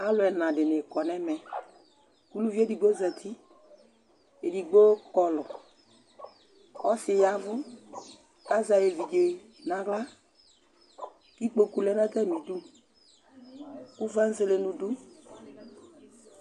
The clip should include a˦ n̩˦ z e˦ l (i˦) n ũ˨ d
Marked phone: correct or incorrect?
incorrect